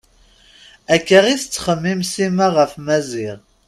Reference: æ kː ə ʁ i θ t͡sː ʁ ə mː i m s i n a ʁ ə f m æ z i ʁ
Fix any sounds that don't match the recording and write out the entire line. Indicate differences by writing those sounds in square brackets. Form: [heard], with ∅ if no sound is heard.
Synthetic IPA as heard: æ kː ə ʁ i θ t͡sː [χ] ə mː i m s i [m] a ʁ ə f m æ z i ʁ

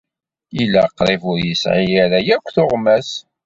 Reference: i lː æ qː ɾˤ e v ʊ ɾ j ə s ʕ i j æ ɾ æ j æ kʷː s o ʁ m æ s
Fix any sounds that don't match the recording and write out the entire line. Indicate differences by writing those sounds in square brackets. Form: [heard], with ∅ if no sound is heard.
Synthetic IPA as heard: i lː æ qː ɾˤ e v ʊ ɾ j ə s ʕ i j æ ɾ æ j æ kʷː [θ] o ʁ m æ s

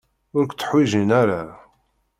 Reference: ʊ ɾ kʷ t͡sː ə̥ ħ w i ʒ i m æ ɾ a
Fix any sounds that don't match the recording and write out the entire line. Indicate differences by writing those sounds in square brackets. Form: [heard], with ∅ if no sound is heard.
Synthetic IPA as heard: ʊ ɾ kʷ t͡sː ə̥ ħ w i ʒ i [n] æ ɾ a

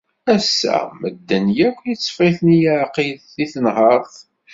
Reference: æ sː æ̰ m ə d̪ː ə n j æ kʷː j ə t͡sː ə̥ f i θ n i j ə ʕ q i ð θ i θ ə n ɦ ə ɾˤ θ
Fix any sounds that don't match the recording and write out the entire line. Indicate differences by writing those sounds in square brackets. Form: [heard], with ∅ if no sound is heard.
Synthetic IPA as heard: æ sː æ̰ m ə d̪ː ə n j æ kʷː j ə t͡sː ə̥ f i θ n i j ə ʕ q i ð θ i θ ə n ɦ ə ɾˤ θ

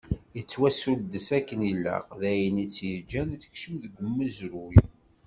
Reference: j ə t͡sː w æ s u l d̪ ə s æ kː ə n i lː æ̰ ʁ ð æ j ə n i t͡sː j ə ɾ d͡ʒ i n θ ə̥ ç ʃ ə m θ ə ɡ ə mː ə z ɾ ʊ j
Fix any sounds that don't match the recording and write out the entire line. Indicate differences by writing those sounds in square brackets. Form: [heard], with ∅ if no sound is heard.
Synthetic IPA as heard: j ə t͡sː w æ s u l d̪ ə s æ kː ə n i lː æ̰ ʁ ð æ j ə n i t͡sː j ə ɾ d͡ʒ [æ] n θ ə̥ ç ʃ ə m [ð] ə ɡ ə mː ə z ɾ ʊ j

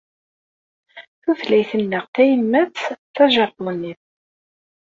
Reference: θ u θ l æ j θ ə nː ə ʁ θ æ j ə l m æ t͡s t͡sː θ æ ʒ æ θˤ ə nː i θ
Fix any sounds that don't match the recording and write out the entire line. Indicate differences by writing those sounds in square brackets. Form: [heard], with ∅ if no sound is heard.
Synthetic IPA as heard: θ u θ l æ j θ ə nː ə ʁ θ æ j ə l m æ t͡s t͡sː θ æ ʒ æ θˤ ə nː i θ

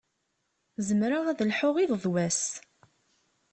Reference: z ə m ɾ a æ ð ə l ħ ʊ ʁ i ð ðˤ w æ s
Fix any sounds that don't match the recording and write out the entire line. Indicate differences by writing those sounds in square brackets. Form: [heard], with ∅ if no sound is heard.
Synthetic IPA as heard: z ə m ɾ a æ ð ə l ħ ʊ ʁ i ð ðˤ w æ s

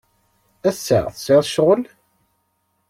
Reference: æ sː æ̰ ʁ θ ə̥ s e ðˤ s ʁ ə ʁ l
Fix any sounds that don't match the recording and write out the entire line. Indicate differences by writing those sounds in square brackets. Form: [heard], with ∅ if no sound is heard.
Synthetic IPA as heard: æ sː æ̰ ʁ θ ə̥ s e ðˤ [ʃ] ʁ ə [∅] l

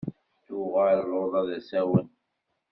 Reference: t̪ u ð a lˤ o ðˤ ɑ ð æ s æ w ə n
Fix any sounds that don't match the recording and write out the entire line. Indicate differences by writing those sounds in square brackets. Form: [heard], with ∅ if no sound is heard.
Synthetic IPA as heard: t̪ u [ʁ] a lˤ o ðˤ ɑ ð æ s æ w ə n

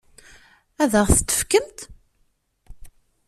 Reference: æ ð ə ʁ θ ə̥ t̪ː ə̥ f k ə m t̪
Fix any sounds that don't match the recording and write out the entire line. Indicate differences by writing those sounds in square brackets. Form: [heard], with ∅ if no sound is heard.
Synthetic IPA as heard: æ ð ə ʁ θ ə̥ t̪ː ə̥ f k ə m t̪

